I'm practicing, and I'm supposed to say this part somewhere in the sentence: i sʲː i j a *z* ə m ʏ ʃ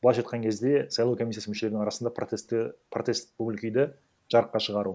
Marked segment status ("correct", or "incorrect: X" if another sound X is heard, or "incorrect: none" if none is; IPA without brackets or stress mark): incorrect: s